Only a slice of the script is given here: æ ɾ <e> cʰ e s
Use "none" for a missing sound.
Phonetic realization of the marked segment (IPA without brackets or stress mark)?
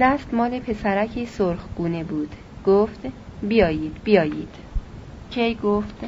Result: æ